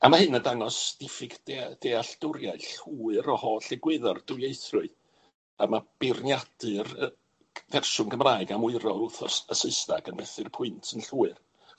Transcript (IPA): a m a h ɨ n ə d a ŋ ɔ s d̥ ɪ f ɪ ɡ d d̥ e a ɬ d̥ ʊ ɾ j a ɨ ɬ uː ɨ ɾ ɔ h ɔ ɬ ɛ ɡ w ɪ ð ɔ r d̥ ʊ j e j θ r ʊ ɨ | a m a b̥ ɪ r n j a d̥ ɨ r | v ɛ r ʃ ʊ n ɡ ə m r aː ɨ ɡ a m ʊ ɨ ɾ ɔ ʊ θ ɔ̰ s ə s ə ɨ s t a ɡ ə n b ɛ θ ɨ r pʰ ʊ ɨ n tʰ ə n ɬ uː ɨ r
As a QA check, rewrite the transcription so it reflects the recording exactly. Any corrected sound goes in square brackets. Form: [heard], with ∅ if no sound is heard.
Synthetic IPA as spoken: a m a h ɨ n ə d a ŋ ɔ s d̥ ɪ f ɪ ɡ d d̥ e a ɬ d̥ ʊ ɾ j a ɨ ɬ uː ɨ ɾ ɔ h ɔ ɬ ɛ ɡ w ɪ ð ɔ r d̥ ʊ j e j θ r ʊ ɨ | a m a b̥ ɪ r n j a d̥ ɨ r | v ɛ r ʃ ʊ n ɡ ə m r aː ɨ ɡ a m ʊ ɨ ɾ ɔ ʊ θ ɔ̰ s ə s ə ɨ s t a ɡ ə n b ɛ θ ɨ r pʰ ʊ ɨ n tʰ ə n ɬ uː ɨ r